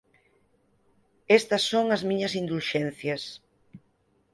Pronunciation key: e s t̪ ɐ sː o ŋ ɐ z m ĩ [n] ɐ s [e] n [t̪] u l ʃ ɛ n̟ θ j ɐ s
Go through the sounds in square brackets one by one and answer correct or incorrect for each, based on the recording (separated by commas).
incorrect, incorrect, incorrect